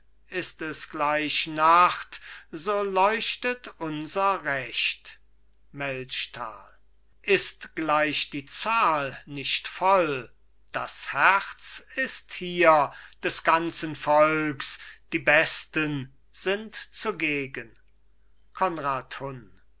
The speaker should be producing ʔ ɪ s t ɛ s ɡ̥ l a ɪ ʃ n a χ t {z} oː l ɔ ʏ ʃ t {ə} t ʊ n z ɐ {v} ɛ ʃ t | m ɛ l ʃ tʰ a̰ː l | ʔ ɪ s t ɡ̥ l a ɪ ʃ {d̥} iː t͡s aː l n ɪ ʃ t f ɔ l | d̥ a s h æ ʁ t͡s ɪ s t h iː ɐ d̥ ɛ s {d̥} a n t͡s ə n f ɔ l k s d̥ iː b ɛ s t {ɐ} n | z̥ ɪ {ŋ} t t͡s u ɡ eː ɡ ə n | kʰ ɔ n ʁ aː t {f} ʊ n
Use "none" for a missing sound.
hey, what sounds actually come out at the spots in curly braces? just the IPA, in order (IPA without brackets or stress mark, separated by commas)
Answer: z, ə, ʁ, d̥, ɡ̥, ə, n, h